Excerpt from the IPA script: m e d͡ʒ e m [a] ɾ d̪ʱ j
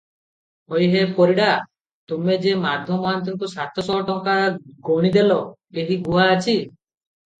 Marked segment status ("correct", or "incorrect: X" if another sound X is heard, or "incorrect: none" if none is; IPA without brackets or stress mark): correct